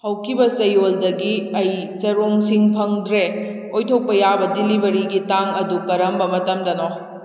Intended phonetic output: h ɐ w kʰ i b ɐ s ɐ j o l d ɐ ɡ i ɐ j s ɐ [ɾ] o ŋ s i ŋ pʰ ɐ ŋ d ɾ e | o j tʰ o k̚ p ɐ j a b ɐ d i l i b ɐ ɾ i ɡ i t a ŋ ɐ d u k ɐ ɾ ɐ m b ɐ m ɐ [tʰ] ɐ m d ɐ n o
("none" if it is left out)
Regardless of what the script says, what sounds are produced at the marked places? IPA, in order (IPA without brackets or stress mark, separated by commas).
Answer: ɾ, t